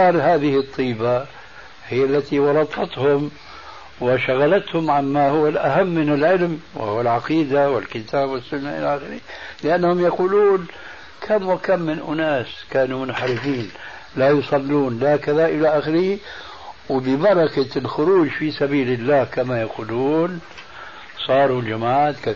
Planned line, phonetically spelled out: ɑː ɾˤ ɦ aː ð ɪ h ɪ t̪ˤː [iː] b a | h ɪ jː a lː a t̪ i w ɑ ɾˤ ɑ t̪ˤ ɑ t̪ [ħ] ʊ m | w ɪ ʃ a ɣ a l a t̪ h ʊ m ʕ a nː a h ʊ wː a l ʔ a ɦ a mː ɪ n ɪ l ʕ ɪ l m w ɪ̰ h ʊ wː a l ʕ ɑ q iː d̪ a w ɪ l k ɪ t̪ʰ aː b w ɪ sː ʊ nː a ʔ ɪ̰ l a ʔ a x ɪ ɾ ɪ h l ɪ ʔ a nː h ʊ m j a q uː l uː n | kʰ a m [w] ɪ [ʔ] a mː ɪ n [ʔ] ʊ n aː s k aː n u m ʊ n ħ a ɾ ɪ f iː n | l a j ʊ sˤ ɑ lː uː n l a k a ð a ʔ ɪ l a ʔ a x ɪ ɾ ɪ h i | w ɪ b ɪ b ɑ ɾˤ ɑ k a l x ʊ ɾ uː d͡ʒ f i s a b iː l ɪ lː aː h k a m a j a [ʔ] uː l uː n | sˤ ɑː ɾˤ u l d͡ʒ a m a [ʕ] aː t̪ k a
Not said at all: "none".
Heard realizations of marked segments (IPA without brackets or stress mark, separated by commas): iː, h, w, k, ʔ, q, ʕ